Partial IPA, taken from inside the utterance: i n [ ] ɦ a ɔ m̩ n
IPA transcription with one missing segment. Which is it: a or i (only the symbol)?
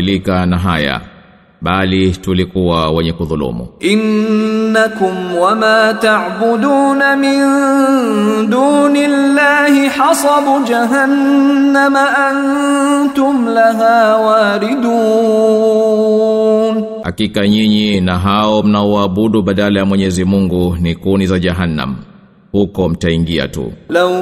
a